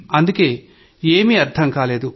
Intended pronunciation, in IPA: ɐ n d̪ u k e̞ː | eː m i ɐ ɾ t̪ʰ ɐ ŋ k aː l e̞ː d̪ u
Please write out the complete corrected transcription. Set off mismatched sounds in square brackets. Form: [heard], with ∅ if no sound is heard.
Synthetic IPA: ɐ n d̪ u k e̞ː | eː m i ɐ ɾ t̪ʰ ɐ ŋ k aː l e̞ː d̪ u